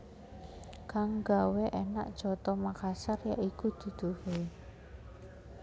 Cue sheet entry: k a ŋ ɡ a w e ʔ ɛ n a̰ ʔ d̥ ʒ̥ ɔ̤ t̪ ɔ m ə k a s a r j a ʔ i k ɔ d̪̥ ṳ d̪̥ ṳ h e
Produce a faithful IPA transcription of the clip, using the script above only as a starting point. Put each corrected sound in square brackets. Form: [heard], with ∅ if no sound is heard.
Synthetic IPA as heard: k a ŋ ɡ a w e ʔ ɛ n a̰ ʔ d̥ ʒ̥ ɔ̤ t̪ ɔ m [a] k a s a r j a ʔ i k [u] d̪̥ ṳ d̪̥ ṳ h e